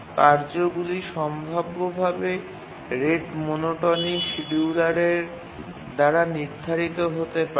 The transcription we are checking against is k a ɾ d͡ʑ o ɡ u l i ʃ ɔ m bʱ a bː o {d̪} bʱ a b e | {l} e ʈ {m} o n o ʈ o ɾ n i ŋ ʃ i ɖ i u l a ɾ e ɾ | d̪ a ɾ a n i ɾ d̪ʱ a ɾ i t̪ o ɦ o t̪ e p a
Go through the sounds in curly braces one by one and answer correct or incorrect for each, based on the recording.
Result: incorrect, incorrect, correct

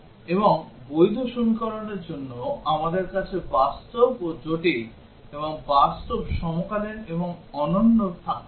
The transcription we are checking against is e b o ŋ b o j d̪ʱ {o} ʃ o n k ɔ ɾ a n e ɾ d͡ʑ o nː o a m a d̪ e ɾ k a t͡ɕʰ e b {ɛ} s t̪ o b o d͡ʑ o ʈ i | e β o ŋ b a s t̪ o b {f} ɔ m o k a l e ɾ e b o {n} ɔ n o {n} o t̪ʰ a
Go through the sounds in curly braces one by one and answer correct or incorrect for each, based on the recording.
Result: correct, incorrect, incorrect, incorrect, incorrect

